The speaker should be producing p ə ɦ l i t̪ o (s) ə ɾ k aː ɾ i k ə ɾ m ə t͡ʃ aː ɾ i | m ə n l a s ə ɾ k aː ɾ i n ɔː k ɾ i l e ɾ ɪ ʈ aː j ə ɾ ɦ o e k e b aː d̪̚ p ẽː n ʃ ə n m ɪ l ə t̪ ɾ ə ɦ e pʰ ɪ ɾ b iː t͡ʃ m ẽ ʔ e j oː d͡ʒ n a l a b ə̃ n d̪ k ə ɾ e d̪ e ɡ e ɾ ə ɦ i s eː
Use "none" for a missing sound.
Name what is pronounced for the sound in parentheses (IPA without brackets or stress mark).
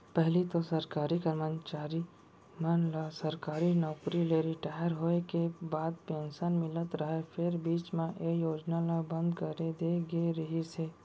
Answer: s